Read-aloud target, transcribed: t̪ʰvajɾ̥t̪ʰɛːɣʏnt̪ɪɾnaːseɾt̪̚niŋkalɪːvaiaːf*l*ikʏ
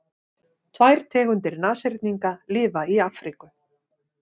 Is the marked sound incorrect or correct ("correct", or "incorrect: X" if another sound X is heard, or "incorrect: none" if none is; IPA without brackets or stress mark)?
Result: incorrect: ɾ